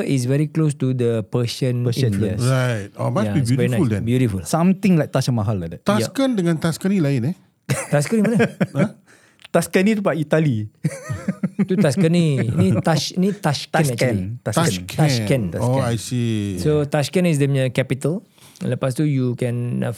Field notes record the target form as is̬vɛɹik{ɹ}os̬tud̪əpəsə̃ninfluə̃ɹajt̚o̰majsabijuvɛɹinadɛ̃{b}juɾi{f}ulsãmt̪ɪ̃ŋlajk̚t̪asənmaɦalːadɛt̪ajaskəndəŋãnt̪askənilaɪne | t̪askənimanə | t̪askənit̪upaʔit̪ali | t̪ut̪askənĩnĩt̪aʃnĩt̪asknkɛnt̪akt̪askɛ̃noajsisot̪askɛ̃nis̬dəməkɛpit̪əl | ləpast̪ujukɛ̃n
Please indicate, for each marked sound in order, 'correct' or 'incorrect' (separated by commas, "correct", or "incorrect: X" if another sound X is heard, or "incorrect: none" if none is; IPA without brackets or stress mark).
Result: incorrect: l, correct, correct